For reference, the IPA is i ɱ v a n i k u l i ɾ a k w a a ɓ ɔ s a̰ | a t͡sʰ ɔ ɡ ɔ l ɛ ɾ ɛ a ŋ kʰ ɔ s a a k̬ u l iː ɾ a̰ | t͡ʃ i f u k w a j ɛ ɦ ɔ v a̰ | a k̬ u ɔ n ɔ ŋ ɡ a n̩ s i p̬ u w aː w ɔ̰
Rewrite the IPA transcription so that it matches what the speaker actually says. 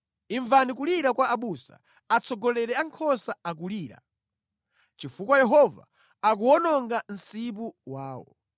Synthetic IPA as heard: i ɱ v a n i k u l i ɾ a k w a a ɓ u s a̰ | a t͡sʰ ɔ ɡ ɔ l ɛ ɾ ɛ a ŋ kʰ ɔ s a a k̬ u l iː ɾ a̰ | t͡ʃ i f u k w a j ɛ ɦ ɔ v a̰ | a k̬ u ɔ n ɔ ŋ ɡ a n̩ s i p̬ u w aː w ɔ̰